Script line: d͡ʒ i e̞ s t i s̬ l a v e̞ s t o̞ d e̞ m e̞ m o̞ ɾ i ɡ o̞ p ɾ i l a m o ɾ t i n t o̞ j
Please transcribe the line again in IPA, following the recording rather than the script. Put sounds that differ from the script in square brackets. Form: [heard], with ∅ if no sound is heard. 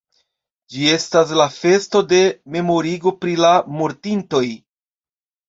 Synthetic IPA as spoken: d͡ʒ i e̞ s t [a] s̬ l a [f] e̞ s t o̞ d e̞ m e̞ m o̞ ɾ i ɡ o̞ p ɾ i l a m o ɾ t i n t o̞ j